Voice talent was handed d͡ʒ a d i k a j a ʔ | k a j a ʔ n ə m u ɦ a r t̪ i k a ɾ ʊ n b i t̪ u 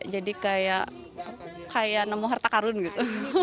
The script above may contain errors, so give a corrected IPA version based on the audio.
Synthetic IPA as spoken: d͡ʒ a d i k a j a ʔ | k a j a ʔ n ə m u ɦ a r t̪ a k a ɾ ʊ n ɡ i t̪ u